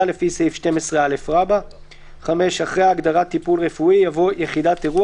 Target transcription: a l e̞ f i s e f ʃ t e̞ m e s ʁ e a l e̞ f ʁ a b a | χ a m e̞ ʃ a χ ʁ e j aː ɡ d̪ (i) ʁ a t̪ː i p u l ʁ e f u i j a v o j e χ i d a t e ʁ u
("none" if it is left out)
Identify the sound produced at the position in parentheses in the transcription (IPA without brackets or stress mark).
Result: a